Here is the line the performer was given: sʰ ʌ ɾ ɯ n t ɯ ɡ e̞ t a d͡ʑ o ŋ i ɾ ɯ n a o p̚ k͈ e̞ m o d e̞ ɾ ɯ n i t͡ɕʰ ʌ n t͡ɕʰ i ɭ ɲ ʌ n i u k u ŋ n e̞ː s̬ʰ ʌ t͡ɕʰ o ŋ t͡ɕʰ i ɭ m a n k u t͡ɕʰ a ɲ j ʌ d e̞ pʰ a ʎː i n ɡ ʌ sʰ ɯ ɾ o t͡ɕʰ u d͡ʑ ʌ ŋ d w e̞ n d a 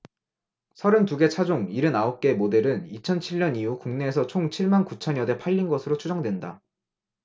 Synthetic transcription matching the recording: sʰ ʌ ɾ ɯ n t u ɡ e̞ t͡ɕʰ a d͡ʑ o ŋ i ɾ ɯ n a o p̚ k͈ e̞ m o d e̞ ɾ ɯ n i t͡ɕʰ ʌ n t͡ɕʰ i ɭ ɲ ʌ n i u k u ŋ n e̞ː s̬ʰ ʌ t͡ɕʰ o ŋ t͡ɕʰ i ɭ m a n k u t͡ɕʰ ʌ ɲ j ʌ d e̞ pʰ a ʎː i n ɡ ʌ sʰ ɯ ɾ o t͡ɕʰ u d͡ʑ ʌ ŋ d w e̞ n d a